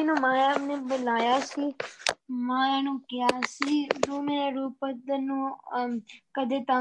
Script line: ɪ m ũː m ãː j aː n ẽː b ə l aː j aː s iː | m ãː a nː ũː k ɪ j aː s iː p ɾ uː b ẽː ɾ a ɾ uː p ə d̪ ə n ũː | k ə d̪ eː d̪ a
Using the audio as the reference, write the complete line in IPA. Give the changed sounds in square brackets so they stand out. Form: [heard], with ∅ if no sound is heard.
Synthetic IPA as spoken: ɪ [n] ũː m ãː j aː n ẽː b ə l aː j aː s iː | m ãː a [n] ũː k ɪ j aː s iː [∅] ɾ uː [m] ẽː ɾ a ɾ uː p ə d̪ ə n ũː | k ə d̪ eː [t̪] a